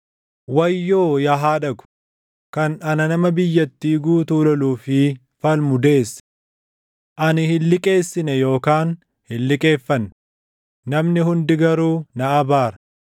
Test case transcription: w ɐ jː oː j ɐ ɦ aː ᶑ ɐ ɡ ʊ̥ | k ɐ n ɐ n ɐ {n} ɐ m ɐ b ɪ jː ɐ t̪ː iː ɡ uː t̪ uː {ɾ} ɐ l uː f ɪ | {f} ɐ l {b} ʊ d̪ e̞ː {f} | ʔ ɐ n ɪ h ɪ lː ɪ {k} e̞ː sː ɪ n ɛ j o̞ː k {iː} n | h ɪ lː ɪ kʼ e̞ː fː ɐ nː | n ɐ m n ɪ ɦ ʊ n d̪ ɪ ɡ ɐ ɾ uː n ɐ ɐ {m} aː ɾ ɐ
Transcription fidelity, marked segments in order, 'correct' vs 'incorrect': correct, incorrect: l, correct, incorrect: m, incorrect: s, incorrect: kʼ, incorrect: aː, incorrect: b

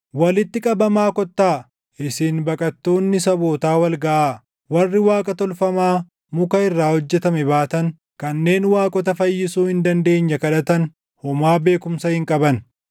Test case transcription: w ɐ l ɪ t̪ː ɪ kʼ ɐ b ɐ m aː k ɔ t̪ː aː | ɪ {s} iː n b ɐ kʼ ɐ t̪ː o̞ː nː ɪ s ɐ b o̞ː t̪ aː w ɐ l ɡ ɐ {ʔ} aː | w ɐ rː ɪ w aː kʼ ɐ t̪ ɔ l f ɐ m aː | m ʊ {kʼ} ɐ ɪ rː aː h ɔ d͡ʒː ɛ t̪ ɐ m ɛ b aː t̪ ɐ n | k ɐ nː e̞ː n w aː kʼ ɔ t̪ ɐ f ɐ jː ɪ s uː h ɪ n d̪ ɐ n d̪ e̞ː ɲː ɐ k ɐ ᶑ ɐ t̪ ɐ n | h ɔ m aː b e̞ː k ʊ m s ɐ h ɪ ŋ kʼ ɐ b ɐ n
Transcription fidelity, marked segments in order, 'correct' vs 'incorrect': correct, correct, incorrect: k

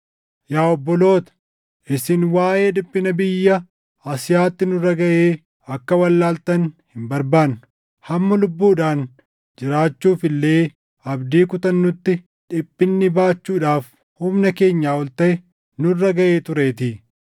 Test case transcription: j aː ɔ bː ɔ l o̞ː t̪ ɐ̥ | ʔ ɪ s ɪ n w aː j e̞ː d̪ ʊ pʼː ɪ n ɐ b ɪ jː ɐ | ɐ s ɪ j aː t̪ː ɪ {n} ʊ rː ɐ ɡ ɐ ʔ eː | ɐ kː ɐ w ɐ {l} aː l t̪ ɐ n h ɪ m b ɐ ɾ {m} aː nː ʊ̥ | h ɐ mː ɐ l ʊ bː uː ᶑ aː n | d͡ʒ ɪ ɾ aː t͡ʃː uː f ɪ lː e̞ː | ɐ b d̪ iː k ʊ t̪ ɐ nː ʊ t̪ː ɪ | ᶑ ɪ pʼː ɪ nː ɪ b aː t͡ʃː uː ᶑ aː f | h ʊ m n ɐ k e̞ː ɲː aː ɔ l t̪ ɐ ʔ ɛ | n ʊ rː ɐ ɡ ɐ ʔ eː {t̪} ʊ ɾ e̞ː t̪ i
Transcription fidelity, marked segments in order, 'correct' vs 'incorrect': correct, incorrect: lː, incorrect: b, correct

